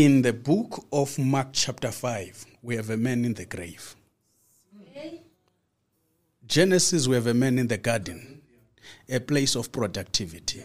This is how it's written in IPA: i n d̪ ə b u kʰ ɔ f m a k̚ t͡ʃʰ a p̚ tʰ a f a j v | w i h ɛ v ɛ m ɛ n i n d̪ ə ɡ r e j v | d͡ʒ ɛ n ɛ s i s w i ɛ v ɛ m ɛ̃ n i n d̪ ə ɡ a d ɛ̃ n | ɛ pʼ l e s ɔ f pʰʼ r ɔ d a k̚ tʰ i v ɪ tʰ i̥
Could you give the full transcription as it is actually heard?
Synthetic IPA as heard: i n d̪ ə b u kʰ ɔ f m a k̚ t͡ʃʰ a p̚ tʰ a f a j v | w i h ɛ v ɛ m ɛ n i n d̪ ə ɡ r e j v | d͡ʒ ɛ n ɛ s i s w i ɛ v ɛ m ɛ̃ n i n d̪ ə ɡ a d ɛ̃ n | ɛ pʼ l e s ɔ f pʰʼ r ɔ d a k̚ tʰ i v i tʰ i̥